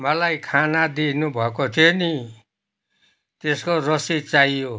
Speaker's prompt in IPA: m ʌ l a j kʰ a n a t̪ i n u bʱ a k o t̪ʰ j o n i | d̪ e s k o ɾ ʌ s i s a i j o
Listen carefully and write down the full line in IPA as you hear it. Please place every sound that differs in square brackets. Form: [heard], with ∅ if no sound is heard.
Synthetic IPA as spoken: m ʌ l a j kʰ a n a [d̪] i n u bʱ [ʌ] k o t̪ʰ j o n i | [t̪] e s k o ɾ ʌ s i [t͡s] a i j o